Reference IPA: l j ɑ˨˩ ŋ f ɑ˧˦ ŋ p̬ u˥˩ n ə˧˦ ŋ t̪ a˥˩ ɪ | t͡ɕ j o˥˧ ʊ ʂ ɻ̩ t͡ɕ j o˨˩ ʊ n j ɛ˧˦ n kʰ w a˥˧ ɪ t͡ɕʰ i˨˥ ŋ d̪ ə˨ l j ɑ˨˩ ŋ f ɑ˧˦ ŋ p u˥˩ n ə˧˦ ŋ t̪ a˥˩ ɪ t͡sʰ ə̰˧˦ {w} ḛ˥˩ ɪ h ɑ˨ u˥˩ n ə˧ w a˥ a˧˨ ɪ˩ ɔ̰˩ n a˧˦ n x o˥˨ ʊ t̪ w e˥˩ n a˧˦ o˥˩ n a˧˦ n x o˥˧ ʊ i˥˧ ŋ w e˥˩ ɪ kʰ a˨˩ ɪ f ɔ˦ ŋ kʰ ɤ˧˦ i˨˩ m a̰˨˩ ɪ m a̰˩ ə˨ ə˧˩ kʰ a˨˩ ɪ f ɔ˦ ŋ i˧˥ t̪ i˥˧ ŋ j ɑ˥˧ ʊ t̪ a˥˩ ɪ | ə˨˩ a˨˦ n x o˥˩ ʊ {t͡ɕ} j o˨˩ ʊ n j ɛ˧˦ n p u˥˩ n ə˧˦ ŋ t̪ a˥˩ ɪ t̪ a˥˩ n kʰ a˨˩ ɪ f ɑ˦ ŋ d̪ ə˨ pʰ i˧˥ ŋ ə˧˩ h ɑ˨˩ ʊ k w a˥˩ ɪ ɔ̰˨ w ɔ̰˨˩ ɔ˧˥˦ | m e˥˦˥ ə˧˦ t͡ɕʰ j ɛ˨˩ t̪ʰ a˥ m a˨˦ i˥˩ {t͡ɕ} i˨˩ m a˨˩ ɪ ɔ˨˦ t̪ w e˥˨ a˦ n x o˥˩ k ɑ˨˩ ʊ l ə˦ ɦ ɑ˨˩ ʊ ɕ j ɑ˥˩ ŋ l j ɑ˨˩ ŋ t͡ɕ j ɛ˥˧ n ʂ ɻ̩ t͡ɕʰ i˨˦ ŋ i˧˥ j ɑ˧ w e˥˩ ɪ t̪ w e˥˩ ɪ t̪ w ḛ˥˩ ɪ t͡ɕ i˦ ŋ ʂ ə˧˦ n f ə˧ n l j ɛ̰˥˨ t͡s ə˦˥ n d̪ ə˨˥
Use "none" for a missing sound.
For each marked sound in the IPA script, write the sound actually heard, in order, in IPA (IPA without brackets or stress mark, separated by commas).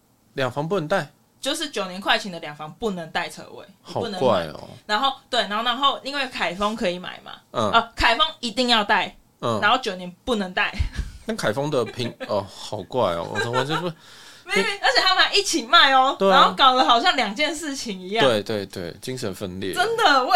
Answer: w, t͡ɕ, t͡ɕʰ